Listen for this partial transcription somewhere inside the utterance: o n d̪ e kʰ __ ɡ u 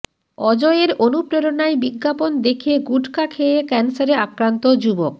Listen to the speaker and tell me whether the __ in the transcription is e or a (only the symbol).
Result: e